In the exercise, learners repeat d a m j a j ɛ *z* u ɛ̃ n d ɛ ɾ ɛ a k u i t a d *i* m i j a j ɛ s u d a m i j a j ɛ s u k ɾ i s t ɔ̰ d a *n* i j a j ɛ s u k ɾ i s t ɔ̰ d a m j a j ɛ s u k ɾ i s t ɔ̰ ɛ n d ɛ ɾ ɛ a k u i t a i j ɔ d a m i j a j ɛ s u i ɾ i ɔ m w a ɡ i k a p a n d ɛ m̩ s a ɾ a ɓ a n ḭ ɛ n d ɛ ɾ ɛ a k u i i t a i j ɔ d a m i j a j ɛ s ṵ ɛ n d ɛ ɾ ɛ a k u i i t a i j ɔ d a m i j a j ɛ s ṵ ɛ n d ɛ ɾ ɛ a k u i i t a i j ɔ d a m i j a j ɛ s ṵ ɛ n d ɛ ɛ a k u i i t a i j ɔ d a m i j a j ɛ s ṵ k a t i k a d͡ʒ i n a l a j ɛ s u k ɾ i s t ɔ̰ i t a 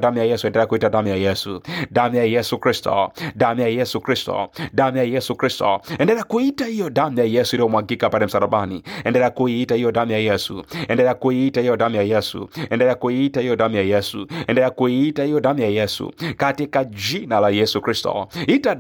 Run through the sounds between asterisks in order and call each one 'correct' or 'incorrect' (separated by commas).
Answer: incorrect, incorrect, incorrect